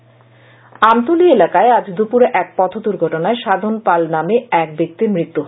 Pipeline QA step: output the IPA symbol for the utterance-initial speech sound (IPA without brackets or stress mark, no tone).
a